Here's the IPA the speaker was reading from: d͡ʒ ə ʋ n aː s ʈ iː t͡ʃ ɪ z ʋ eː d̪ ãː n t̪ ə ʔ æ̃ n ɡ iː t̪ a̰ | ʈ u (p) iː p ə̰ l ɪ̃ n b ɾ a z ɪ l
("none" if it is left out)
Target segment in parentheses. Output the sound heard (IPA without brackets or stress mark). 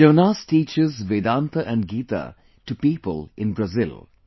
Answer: p